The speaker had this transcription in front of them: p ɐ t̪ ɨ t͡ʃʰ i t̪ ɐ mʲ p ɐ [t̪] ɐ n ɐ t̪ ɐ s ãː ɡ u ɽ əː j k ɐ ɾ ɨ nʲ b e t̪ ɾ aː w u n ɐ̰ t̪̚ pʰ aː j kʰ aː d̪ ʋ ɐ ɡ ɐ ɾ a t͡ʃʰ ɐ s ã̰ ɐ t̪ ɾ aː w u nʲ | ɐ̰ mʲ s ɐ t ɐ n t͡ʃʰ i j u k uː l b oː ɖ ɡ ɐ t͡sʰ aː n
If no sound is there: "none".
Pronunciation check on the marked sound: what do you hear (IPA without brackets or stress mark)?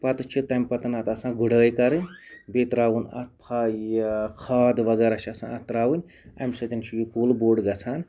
t̪